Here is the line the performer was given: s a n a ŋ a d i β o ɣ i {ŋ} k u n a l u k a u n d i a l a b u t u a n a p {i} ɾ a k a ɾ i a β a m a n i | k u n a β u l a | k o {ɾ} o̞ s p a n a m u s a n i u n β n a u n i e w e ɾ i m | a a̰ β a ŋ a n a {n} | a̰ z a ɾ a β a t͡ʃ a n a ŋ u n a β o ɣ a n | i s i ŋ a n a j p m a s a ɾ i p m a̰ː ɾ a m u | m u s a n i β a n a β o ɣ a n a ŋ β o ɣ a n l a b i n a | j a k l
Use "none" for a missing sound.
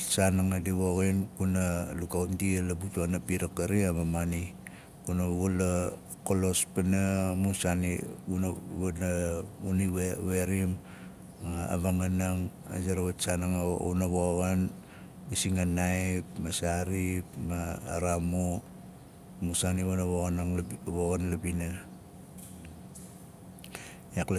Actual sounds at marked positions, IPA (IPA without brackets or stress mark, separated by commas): n, i, l, ŋ